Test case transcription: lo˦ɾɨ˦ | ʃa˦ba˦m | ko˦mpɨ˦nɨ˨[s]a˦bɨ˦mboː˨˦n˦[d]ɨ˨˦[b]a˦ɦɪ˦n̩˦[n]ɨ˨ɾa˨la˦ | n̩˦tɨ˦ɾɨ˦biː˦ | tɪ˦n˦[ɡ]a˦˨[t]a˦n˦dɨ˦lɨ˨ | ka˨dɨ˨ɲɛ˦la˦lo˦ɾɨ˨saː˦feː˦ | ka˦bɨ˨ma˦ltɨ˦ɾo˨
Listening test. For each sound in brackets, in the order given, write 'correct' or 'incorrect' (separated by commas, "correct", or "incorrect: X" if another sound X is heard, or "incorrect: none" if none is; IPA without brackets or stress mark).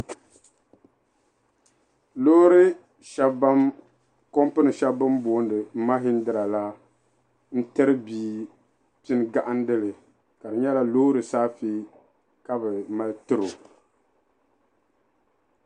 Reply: incorrect: ʃ, correct, incorrect: m, incorrect: d, correct, incorrect: ʔ